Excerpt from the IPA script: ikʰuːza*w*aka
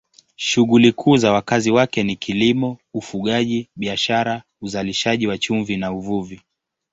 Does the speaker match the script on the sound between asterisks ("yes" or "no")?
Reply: yes